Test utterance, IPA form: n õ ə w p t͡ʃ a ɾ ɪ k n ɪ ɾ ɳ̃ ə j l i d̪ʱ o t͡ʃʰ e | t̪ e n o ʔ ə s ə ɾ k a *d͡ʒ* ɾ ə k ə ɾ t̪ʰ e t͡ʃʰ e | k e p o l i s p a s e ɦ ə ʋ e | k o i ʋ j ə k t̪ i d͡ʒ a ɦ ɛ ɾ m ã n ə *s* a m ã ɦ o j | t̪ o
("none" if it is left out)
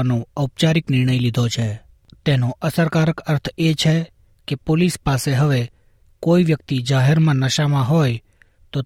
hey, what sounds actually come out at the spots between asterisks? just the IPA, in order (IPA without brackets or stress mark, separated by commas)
none, ʃ